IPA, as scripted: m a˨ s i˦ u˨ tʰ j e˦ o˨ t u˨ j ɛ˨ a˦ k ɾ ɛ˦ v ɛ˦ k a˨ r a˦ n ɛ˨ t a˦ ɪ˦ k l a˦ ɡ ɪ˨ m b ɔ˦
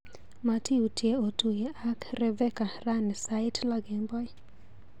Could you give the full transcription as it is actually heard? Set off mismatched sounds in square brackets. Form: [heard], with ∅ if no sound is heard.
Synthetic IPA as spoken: m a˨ [t] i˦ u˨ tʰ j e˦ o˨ t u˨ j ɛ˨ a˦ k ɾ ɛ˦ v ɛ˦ k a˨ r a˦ n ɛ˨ [s] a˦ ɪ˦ [t] l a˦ ɡ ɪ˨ m b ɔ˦